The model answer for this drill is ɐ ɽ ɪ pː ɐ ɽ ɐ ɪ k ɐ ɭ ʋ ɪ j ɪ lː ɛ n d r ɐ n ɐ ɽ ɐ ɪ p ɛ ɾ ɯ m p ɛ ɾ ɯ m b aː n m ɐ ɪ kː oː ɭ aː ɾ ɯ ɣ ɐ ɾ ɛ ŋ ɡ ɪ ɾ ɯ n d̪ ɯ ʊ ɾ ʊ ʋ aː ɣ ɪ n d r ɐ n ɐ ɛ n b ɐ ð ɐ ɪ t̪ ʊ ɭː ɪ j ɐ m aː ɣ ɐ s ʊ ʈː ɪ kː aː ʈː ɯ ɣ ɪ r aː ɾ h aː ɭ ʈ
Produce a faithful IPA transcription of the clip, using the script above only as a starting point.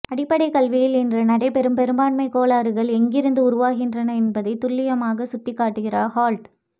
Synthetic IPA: ɐ ɽ ɪ pː ɐ ɽ ɐ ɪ k ɐ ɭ ʋ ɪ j ɪ l ɛ n d r ɐ n ɐ ɽ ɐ ɪ p ɛ ɾ ɯ m p ɛ ɾ ɯ m b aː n m ɐ ɪ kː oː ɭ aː ɾ ɯ ɣ ɐ ɭ ɛ ŋ ɡ ɪ ɾ ɯ n d̪ ɯ ʊ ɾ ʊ ʋ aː ɣ ɪ n d r ɐ n ɐ ɛ n b ɐ ð ɐ ɪ t̪ ʊ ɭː ɪ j ɐ m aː ɣ ɐ s ʊ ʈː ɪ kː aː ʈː ɯ ɣ ɪ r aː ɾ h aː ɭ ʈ